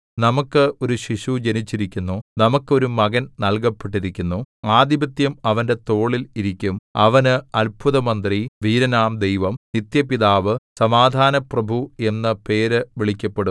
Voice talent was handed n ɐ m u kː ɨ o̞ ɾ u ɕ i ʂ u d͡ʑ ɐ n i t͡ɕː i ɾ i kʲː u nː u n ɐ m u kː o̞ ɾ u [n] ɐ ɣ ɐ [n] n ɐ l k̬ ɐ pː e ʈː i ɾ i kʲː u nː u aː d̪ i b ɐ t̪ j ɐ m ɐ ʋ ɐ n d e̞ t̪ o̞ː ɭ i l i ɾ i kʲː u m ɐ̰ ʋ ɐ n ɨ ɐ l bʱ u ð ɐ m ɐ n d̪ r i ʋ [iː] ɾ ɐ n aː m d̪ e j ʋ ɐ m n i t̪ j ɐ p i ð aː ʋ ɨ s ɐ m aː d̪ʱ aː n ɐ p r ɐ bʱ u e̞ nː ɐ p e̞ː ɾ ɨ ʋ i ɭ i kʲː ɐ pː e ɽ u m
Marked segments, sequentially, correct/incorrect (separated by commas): incorrect, correct, correct